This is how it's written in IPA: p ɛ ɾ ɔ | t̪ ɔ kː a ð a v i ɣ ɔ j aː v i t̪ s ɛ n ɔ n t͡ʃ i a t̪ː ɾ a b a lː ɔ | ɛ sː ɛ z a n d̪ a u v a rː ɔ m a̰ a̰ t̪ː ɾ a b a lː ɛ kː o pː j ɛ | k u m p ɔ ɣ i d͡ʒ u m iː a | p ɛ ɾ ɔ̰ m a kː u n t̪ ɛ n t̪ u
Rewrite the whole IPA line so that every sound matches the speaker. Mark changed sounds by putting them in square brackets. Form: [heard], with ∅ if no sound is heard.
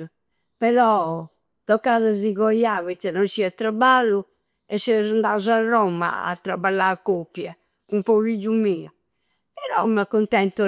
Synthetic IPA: p ɛ ɾ ɔ | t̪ ɔ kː a ð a [z] i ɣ ɔ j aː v i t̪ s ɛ n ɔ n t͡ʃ i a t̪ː ɾ a b a lː [u] | ɛ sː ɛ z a n d̪ a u [z] a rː ɔ m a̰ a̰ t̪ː ɾ a b a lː [a] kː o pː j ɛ | k u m p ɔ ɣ i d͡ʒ u m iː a | p ɛ ɾ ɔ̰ m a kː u n t̪ ɛ n t̪ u